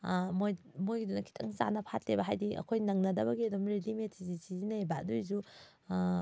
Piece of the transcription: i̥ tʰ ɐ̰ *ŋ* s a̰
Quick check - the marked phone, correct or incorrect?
correct